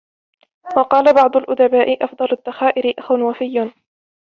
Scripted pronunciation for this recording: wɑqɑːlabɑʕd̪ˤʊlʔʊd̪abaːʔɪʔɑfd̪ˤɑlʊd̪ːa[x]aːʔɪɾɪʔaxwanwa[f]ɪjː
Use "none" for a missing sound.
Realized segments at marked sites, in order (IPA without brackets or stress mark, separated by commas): x, f